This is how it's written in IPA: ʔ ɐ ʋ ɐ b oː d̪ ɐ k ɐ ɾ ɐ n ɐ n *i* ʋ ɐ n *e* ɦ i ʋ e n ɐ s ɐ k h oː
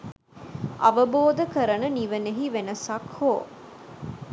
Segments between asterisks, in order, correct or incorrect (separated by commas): correct, correct